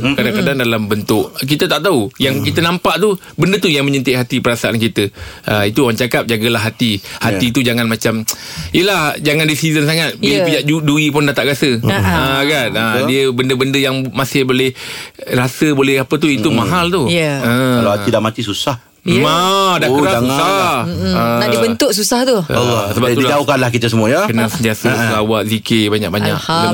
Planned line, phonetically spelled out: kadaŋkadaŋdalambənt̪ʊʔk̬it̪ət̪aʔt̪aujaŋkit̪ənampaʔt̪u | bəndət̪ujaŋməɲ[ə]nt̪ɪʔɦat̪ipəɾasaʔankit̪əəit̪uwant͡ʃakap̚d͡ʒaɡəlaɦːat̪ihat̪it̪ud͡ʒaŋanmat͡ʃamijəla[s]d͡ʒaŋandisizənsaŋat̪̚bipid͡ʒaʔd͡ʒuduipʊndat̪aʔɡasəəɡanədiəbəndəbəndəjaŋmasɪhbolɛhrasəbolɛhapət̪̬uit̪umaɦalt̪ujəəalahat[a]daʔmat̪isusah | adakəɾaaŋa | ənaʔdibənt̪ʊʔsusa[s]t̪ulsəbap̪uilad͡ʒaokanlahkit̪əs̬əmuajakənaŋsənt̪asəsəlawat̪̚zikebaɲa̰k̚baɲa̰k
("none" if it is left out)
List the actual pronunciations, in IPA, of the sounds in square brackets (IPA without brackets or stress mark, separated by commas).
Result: ə, h, i, h